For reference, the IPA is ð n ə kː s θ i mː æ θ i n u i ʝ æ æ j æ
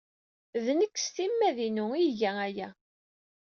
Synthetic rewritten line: ð n ə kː s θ i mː æ ð i n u i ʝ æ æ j æ